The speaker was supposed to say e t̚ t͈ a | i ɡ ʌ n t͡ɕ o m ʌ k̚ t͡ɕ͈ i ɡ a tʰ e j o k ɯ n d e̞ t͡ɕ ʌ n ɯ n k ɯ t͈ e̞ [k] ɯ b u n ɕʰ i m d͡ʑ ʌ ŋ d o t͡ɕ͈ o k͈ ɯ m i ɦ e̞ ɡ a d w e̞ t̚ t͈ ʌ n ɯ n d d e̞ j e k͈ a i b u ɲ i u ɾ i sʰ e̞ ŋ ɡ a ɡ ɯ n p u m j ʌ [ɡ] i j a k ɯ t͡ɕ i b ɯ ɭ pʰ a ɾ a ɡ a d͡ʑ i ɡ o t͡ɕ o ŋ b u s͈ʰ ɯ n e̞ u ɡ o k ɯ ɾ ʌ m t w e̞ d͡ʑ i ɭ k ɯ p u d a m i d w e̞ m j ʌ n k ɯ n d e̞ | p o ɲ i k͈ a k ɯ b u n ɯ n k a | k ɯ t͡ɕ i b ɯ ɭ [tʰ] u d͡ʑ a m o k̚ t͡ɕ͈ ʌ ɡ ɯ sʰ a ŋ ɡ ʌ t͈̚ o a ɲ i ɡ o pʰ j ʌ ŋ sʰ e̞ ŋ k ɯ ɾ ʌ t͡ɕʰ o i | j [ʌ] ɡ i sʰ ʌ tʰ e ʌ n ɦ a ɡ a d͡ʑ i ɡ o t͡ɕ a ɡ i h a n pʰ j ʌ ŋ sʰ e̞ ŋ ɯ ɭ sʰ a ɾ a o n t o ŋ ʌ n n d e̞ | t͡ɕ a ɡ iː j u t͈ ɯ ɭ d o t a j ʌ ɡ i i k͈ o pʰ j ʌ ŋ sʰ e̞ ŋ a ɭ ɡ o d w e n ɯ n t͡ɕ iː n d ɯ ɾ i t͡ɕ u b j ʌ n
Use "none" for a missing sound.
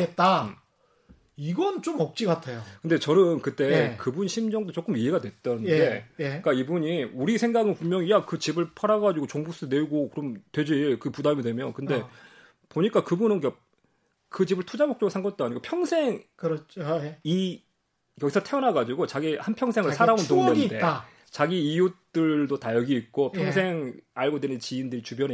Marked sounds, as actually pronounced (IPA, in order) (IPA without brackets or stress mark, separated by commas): k, ŋ, tʰ, ʌ